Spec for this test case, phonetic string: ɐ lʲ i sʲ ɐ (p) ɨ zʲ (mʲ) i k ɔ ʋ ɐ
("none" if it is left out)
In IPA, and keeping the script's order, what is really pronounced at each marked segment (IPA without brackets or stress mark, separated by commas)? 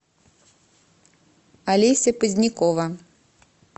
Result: p, nʲ